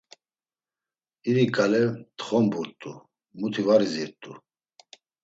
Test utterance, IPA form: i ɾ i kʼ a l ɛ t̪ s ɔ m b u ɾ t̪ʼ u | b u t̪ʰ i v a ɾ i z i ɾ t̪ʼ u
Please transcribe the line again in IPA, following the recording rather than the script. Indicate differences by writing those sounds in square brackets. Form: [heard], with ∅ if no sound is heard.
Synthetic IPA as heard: i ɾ i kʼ a l ɛ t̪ [χ] ɔ m b u ɾ t̪ʼ u | [m] u t̪ʰ i v a ɾ i z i ɾ t̪ʼ u